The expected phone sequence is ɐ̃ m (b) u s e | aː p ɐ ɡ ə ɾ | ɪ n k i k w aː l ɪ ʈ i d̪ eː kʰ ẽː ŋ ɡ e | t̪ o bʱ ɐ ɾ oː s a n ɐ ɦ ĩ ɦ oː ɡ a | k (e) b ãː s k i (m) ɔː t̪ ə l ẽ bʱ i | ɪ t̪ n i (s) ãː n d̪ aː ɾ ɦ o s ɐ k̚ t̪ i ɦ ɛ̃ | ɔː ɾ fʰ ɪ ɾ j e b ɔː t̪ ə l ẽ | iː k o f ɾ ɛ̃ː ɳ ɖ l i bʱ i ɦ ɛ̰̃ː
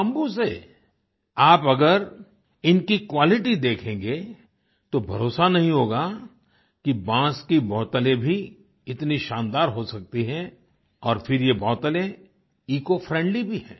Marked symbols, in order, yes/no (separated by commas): yes, no, no, no